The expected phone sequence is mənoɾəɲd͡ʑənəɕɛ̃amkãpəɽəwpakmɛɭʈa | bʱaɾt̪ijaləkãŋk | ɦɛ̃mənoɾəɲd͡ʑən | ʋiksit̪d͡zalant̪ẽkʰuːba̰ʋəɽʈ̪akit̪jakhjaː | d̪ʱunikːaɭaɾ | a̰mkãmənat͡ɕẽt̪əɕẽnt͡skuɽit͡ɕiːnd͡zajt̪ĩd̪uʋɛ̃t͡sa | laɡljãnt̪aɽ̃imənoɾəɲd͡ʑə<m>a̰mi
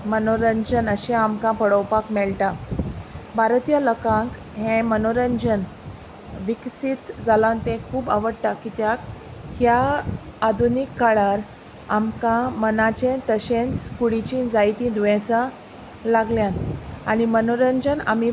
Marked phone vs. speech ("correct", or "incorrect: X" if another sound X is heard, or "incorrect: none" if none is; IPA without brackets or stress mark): incorrect: n